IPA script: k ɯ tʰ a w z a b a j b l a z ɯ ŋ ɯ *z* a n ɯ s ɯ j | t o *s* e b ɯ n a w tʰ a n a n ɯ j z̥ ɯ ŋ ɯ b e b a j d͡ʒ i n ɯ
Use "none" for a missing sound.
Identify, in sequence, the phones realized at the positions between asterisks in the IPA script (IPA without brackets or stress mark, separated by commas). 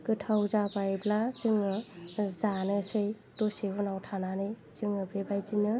z, s